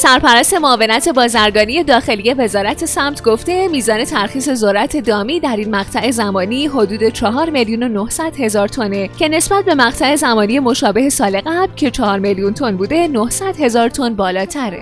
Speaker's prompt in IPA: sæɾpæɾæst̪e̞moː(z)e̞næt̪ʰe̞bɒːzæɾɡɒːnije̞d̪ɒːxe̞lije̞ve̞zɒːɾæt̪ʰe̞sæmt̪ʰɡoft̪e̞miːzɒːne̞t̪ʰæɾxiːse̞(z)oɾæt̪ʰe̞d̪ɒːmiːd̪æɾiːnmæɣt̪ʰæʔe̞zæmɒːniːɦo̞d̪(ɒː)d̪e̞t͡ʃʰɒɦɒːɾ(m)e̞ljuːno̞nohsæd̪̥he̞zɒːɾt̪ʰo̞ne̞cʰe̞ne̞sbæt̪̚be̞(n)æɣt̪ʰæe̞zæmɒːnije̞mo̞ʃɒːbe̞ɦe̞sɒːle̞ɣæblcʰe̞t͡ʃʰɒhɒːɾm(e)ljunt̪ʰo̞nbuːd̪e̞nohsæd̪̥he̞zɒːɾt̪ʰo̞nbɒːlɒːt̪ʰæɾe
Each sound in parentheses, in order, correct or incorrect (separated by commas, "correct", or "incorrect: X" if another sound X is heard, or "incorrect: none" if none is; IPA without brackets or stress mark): incorrect: v, correct, incorrect: uː, correct, incorrect: m, correct